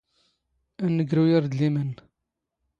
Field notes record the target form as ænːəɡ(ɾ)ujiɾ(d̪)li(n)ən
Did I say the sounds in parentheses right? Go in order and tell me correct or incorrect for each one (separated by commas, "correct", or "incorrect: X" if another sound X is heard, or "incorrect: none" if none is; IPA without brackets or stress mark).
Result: correct, correct, incorrect: m